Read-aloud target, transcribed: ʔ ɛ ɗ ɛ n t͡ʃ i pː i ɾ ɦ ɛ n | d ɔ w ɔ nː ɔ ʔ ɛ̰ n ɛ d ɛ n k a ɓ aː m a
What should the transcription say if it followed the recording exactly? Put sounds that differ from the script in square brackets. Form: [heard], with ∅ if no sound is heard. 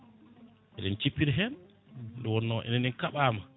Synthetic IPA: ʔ ɛ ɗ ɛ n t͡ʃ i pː i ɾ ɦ ɛ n | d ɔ w ɔ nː ɔ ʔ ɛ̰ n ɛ [n] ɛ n k a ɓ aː m a